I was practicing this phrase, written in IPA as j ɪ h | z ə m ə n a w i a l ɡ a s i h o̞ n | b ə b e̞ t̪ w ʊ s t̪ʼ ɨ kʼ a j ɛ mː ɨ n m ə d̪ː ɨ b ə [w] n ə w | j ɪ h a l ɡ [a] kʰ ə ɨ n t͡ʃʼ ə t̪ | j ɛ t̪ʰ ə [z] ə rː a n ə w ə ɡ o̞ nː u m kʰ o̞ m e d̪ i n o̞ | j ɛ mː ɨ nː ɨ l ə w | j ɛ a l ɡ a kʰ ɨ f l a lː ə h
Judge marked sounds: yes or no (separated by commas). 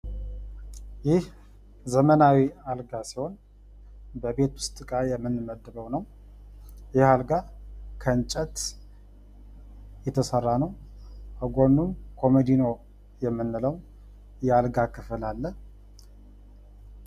yes, yes, no